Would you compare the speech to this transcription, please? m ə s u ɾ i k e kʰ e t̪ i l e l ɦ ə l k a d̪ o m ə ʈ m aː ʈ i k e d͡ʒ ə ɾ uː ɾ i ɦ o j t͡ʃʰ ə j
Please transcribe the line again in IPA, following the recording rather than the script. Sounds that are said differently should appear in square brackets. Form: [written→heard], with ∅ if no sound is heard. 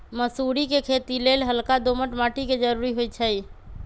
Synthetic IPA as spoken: m ə s u ɾ i k e kʰ e t̪ i l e l ɦ ə l k a d̪ o m ə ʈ m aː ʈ i k e d͡ʒ ə ɾ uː ɾ i ɦ o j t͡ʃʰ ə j